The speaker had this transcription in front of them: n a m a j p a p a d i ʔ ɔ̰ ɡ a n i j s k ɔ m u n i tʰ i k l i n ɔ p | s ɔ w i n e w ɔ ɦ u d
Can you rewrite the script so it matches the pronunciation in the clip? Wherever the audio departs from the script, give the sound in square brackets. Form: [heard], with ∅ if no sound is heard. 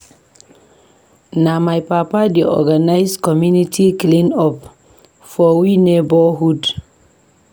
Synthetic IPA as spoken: n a m a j p a p a d i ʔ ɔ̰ ɡ a n [a] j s k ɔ m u n i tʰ i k l i n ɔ p | [f] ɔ w i n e [b] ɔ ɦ u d

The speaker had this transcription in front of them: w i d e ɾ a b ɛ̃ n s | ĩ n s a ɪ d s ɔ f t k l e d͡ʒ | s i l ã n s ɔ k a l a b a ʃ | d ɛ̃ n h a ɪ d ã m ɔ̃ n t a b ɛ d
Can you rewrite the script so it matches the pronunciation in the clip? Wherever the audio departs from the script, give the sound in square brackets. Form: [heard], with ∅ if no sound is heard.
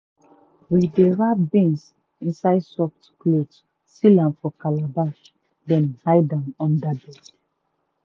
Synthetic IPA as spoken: w i d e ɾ a b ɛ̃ n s | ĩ n s a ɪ d s ɔ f t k l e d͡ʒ | s i l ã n [f] ɔ k a l a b a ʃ | d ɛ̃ n h a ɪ d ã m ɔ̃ n [d] a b ɛ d

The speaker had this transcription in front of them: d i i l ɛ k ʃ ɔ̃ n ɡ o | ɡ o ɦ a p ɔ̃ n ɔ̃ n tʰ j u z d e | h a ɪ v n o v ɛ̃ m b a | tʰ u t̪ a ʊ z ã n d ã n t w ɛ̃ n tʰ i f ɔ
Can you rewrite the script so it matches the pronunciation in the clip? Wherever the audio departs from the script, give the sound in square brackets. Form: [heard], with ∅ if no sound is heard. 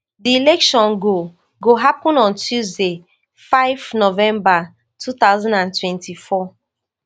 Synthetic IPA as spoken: d i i l ɛ k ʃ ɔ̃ n ɡ o | ɡ o ɦ a p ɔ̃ n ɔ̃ n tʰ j u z d e | [f] a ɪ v n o v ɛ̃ m b a | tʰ u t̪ a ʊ z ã n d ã n t w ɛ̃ n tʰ i f ɔ

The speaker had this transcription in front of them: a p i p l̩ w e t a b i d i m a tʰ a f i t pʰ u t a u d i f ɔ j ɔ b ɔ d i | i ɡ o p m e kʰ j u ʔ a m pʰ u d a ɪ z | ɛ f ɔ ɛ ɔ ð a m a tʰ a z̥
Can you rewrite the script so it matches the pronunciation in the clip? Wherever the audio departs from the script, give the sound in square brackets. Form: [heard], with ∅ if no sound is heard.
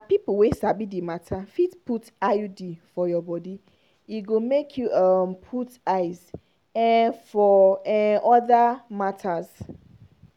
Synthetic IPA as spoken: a p i p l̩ w e [s] a b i d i m a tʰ a f i t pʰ u t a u d i f ɔ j ɔ b ɔ d i | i ɡ o [∅] m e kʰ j u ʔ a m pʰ u [t] a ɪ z | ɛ f ɔ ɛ ɔ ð a m a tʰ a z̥

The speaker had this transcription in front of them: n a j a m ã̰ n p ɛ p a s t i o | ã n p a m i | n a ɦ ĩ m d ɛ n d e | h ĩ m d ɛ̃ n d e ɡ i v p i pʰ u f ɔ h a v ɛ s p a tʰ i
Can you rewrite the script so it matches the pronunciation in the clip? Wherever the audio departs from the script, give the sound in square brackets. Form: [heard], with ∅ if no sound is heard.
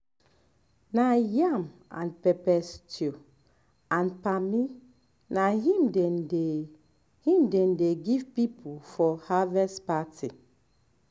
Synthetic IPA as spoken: n a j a m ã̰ n p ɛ p [ɛ] s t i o | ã n p a m i | n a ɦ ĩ m d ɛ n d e | h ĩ m d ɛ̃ n d e ɡ i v p i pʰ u f ɔ h a v ɛ s p a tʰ i

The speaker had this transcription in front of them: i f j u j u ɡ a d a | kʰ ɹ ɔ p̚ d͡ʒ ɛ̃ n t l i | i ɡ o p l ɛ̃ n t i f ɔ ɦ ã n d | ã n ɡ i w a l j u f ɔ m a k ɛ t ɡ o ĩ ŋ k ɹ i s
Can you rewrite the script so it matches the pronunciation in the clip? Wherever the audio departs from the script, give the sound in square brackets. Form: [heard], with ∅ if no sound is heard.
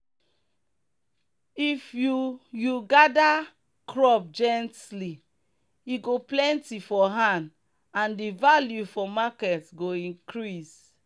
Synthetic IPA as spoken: i f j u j u ɡ a d a | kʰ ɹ ɔ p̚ d͡ʒ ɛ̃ n t l i | i ɡ o p l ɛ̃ n t i f ɔ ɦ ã n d | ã n [d] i [v] a l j u f ɔ m a k ɛ t ɡ o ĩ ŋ k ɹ i s

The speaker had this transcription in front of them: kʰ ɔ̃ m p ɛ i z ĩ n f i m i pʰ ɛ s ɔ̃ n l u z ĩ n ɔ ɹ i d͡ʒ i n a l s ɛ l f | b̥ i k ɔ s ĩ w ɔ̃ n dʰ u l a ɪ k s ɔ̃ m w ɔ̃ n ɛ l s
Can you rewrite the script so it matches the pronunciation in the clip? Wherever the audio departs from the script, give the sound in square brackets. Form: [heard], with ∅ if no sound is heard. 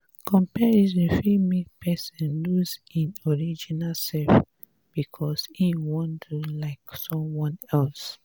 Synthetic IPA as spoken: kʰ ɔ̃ m p ɛ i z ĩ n f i m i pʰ ɛ s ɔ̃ n l u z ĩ n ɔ ɹ i d͡ʒ i n a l s ɛ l f | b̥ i [kʰ] ɔ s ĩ w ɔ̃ n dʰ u l a ɪ k s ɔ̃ m w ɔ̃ n ɛ l s

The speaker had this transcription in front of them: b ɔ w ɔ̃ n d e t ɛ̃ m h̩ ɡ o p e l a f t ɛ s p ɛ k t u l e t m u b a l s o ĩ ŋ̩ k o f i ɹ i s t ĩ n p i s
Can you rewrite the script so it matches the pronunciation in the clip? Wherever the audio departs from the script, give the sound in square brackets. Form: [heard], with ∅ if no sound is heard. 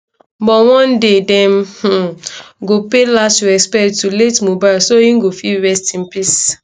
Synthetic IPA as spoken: b ɔ w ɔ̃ n d e [d] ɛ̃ m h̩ ɡ o p e l a [s] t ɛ s p ɛ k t u l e t m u b a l s o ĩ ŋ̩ [ɡ] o f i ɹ [ɛ] s t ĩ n p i s

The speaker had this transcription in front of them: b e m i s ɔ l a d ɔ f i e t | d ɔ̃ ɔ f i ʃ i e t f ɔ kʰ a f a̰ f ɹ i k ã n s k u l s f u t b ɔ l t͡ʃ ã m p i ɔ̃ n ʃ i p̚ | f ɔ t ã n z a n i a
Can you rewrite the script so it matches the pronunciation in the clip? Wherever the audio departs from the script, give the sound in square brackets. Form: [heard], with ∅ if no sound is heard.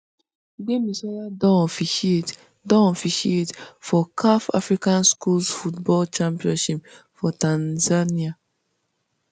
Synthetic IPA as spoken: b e m i s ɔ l a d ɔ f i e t | d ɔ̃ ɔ f i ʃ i e t f ɔ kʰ a f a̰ f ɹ i k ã n s k u l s f u t b ɔ l t͡ʃ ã m p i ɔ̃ n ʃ i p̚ | f ɔ t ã n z a n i a

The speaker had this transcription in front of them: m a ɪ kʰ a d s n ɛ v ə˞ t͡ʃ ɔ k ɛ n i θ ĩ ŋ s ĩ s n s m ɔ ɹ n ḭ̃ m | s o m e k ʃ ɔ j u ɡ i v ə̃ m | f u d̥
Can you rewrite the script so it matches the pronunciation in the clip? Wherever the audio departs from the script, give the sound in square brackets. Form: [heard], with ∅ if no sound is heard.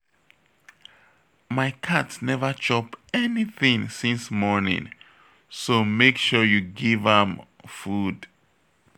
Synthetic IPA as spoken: m a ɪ kʰ a [t] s n ɛ v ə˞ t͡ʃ ɔ [p] ɛ n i θ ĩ ŋ s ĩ [∅] n s m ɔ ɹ n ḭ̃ [ŋ] | s o m e k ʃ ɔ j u ɡ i v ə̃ m | f u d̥

